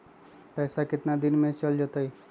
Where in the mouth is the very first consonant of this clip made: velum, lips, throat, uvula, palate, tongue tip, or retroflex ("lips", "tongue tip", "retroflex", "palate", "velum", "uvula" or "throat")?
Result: lips